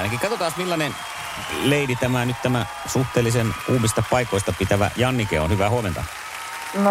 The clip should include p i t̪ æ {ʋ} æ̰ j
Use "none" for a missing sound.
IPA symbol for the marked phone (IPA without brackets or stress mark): ʋ